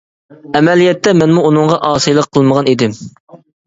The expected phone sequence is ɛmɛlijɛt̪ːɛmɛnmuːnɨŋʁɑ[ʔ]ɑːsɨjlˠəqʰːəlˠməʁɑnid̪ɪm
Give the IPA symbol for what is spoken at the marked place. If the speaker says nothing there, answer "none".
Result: ʔ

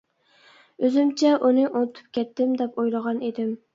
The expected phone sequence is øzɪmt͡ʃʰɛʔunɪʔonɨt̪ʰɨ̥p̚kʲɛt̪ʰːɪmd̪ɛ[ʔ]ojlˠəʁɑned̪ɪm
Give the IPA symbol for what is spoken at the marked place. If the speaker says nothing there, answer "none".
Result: p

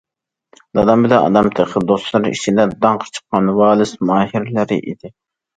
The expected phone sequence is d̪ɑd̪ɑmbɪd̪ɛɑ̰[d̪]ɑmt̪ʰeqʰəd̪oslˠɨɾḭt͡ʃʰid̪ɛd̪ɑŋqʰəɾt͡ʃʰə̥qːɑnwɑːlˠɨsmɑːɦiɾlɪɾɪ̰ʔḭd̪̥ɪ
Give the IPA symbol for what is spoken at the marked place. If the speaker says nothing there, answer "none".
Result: d̪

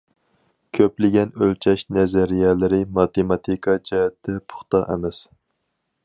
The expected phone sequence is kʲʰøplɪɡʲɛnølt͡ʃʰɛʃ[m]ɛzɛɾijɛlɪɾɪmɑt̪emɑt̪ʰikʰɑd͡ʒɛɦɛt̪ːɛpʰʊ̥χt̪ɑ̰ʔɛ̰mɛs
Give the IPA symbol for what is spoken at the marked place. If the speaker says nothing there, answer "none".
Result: n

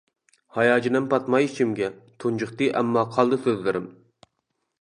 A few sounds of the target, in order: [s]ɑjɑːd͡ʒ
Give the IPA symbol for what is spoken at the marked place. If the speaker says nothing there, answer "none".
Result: h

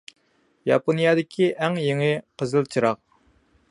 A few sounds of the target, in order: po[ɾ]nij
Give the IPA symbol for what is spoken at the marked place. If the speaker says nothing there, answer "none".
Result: none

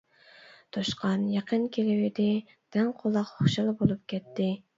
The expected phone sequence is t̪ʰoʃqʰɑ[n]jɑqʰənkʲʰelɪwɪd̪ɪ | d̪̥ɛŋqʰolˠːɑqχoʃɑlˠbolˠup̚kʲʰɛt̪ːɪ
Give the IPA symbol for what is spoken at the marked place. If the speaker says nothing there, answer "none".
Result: n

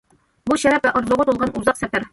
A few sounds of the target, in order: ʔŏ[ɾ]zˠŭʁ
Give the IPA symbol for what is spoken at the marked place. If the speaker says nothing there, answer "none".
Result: ɾ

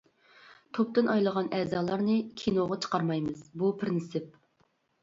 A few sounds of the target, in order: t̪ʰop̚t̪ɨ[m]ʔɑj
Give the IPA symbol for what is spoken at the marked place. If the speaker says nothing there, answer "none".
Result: n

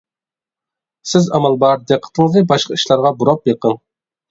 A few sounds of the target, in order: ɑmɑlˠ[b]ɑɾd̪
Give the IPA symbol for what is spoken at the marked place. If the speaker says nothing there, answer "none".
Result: b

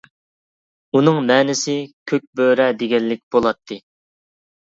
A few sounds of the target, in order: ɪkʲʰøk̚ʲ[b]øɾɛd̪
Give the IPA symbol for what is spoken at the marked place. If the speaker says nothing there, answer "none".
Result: b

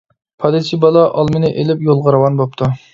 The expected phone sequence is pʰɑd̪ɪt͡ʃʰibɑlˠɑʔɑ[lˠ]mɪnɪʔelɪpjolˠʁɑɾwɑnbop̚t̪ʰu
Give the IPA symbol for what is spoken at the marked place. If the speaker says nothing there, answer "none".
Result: lˠ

